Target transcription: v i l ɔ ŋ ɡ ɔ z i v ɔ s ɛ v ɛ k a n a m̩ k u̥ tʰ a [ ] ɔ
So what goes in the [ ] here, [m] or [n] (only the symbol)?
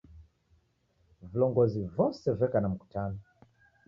n